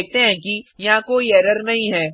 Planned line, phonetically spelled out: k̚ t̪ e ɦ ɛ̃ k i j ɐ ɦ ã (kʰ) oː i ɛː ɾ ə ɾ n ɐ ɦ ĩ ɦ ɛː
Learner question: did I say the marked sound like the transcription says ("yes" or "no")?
no